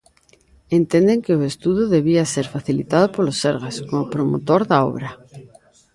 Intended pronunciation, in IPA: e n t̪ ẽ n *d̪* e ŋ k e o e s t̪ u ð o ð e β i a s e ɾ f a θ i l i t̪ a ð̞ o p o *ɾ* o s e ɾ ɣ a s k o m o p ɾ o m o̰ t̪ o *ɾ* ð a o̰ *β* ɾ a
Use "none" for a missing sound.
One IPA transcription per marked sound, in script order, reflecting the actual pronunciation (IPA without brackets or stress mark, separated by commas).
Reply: d̪, l, ɾ, β